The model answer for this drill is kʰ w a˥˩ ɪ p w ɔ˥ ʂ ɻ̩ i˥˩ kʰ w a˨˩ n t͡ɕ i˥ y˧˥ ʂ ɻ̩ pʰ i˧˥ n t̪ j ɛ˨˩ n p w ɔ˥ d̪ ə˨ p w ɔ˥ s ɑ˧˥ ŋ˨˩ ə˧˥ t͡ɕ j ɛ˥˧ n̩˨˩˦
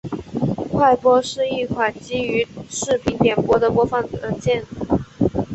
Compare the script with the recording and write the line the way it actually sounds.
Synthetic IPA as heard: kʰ w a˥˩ ɪ p w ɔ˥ ʂ ɻ̩ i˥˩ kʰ w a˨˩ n t͡ɕ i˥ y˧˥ ʂ ɻ̩ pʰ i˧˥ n t̪ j ɛ˨˩ n p w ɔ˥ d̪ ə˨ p w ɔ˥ f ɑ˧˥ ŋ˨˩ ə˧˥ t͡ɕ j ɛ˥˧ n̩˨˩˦